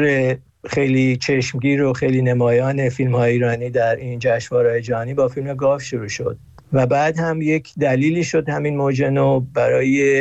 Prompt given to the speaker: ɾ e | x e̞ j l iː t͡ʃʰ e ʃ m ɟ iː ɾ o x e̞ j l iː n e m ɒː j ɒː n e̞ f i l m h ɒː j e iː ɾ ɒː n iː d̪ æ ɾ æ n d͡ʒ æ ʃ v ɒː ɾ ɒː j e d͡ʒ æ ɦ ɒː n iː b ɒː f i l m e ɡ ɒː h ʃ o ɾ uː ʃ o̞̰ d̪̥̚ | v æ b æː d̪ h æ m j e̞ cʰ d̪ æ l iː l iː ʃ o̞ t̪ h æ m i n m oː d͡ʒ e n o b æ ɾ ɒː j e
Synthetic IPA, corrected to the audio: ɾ e | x e̞ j l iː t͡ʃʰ e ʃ m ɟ iː ɾ o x e̞ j l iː n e m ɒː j ɒː n e̞ f i l m h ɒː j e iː ɾ ɒː n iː d̪ æ ɾ i n d͡ʒ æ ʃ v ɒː ɾ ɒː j e d͡ʒ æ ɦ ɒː n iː b ɒː f i l m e ɡ ɒː f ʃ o ɾ uː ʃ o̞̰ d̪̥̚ | v æ b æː d̪ h æ m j e̞ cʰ d̪ æ l iː l iː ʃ o̞ d̪ h æ m i n m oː d͡ʒ e n o b æ ɾ ɒː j e